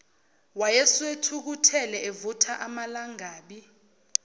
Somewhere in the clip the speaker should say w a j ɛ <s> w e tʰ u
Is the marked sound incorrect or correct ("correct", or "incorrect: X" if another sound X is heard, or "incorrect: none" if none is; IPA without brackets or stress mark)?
correct